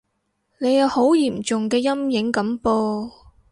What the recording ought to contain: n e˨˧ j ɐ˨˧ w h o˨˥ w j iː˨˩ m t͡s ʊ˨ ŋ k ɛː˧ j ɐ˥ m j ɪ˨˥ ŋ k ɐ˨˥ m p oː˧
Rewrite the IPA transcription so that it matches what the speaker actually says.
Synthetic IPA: n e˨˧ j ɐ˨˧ w h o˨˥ w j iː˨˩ m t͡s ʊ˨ ŋ k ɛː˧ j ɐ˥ m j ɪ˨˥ ŋ k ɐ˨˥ m p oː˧